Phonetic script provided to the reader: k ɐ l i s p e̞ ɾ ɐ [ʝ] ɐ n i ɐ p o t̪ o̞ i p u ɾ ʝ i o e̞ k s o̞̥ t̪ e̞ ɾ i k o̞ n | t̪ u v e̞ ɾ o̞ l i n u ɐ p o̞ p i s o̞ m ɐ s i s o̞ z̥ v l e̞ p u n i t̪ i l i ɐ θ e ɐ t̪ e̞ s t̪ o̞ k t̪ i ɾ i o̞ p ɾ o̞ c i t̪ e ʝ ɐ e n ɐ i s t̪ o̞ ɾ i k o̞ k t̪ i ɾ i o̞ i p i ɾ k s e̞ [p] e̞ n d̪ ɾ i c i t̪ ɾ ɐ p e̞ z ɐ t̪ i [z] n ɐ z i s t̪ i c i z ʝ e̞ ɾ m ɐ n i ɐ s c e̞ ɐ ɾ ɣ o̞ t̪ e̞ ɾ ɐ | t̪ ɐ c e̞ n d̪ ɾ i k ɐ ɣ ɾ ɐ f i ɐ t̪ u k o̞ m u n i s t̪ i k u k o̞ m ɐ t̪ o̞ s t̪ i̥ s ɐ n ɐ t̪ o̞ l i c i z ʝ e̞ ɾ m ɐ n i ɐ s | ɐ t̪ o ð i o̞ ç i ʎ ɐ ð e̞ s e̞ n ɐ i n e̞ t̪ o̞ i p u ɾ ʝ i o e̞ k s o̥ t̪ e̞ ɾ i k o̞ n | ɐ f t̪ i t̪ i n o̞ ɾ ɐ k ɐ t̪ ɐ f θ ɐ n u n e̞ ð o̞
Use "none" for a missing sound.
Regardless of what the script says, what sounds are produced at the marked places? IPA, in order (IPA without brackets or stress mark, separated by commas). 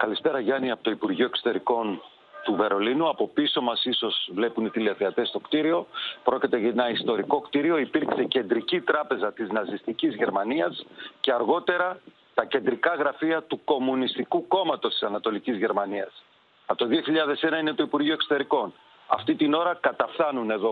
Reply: ʝ, c, z